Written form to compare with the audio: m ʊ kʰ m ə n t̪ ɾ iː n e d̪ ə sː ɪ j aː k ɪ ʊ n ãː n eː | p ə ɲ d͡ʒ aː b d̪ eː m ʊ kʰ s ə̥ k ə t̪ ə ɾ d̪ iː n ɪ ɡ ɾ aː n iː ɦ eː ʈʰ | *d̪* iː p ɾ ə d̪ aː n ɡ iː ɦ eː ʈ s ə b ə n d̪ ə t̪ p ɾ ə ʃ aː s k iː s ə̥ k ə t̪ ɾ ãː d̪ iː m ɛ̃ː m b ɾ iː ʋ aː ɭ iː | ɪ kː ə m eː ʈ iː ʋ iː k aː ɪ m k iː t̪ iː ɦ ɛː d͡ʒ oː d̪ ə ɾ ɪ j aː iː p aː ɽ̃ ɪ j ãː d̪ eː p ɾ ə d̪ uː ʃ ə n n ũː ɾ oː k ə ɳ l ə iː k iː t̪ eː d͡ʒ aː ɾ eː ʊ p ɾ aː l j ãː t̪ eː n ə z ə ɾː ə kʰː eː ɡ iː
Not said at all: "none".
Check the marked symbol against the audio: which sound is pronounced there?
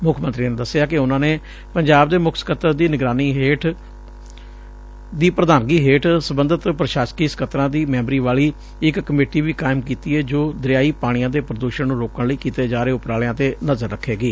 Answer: d̪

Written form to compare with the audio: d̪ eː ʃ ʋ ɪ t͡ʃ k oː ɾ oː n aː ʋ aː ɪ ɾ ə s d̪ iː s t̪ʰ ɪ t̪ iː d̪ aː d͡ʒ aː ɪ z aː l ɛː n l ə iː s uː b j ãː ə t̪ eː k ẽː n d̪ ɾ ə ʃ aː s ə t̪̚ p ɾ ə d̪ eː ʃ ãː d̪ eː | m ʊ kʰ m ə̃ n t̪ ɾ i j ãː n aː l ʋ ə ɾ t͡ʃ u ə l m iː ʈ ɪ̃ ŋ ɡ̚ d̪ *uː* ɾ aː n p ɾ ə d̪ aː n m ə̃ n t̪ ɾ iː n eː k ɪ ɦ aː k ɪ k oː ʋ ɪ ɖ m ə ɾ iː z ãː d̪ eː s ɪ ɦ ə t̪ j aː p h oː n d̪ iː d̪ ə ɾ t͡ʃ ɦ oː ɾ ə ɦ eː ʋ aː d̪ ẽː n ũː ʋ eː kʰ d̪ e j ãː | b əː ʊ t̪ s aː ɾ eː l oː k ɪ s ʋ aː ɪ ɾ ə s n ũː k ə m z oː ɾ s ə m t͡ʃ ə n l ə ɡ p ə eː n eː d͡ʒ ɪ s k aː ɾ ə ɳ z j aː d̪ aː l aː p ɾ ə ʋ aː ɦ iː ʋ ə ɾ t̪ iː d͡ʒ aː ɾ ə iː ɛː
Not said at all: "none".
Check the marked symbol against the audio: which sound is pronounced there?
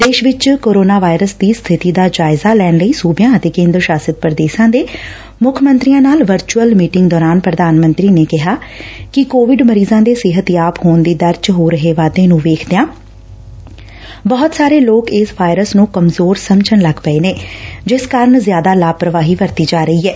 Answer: ɔː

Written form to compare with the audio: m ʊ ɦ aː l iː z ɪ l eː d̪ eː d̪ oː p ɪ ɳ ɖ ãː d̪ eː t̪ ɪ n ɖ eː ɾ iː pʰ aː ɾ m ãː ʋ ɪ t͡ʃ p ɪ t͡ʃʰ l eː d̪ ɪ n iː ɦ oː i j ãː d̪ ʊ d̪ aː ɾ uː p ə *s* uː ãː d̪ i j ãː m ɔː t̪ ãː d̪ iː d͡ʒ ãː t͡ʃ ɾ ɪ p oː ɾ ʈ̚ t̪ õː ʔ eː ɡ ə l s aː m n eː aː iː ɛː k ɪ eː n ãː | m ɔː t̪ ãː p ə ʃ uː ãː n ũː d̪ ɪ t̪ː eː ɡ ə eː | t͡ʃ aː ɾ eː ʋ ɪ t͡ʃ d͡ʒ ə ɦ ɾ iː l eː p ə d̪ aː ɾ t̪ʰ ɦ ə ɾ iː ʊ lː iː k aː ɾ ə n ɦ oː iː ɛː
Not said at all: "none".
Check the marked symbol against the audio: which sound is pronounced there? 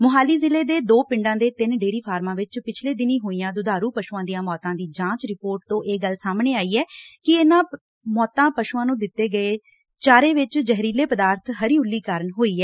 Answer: ʃ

